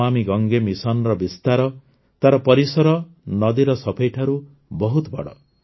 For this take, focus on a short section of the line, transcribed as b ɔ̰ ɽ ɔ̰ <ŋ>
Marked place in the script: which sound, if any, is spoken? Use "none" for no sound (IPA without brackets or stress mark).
none